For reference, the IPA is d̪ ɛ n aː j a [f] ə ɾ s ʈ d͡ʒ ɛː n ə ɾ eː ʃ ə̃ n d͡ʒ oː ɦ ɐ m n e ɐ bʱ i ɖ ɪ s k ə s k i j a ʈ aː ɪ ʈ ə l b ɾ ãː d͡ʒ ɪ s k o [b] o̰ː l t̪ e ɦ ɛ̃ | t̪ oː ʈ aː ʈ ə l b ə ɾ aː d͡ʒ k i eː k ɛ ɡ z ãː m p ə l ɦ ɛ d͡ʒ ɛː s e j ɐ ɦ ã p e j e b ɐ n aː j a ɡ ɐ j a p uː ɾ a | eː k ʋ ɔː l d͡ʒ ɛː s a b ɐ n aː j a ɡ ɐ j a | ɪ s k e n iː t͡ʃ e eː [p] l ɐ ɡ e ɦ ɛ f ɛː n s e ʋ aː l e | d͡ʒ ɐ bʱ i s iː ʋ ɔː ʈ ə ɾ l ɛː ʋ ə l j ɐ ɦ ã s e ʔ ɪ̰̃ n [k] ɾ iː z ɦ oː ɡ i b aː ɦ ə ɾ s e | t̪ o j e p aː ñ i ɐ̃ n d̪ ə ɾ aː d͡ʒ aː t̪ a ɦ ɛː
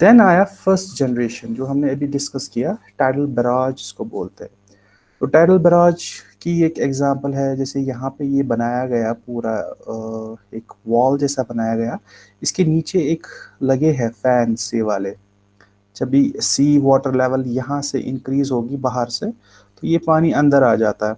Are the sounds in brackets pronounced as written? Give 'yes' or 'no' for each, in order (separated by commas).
yes, yes, no, yes